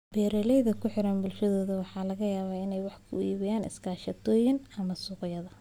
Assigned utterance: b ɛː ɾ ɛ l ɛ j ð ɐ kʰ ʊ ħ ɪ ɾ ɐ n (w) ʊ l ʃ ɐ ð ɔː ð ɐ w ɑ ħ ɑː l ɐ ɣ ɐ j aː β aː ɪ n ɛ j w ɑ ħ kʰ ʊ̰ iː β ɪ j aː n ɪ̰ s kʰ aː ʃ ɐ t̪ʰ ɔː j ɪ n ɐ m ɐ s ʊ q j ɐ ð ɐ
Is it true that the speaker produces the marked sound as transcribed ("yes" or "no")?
no